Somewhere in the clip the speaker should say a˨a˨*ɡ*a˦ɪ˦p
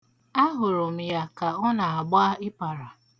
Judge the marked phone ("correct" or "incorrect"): incorrect